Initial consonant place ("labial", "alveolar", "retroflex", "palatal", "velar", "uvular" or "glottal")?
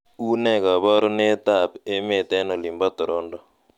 alveolar